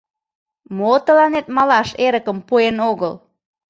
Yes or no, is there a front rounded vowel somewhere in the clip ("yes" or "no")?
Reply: no